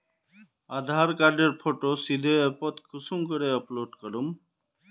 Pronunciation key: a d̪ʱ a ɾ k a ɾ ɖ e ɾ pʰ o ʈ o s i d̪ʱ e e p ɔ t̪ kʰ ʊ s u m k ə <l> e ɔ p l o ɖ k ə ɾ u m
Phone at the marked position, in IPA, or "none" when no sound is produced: ɾ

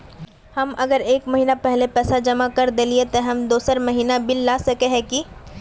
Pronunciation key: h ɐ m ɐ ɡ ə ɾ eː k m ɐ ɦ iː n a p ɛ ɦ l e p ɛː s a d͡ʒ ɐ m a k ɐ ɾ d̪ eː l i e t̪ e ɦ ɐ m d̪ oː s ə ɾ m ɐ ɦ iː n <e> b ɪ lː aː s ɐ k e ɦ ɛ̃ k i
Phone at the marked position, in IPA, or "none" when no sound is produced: a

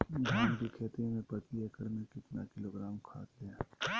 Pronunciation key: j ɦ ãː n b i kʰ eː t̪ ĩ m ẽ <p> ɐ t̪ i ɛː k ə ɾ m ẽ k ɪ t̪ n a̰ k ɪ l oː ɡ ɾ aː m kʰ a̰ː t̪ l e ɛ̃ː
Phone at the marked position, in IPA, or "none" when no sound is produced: p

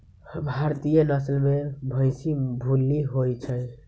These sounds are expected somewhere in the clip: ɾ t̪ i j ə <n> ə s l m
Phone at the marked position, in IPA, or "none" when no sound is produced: n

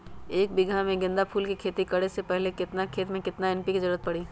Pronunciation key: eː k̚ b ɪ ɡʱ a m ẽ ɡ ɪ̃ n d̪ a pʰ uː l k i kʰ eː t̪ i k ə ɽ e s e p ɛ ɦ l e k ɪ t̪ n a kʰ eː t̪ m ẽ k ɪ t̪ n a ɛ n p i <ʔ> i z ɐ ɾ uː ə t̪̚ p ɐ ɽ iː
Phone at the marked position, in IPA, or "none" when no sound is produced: k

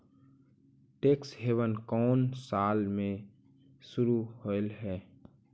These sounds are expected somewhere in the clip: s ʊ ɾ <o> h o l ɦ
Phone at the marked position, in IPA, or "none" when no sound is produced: u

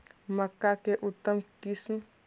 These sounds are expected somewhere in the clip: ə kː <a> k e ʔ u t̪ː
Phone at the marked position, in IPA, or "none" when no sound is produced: a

